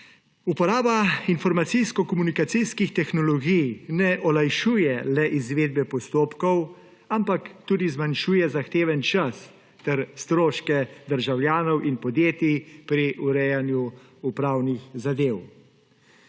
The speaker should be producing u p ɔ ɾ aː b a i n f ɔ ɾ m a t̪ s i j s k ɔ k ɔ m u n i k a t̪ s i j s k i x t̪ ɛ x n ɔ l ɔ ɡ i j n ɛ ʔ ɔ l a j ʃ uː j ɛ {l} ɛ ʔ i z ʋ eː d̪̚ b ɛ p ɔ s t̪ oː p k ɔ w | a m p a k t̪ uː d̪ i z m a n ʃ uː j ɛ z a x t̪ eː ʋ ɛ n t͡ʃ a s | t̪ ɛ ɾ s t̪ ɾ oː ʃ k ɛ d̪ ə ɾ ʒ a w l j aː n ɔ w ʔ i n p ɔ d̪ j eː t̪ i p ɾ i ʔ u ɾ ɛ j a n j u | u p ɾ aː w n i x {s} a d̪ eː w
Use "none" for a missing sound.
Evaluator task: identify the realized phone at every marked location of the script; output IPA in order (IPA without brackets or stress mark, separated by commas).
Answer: l, z